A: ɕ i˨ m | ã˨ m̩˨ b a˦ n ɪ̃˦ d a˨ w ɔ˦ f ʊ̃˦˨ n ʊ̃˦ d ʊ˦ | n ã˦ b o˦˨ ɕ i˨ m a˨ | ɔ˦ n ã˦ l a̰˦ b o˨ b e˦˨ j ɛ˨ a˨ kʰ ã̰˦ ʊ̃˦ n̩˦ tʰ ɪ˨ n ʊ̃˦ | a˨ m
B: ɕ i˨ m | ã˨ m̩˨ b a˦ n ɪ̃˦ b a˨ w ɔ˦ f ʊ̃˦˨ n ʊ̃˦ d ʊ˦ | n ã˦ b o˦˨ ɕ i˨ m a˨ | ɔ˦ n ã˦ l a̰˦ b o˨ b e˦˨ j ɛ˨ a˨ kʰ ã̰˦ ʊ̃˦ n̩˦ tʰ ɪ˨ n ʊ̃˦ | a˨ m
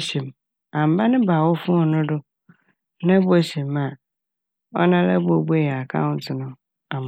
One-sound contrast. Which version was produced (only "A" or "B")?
B